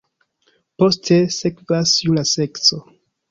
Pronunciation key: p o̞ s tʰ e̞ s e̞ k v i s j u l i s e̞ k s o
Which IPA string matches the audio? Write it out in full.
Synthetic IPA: p o̞ s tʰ e̞ s e̞ k v a s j u l a s e̞ k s o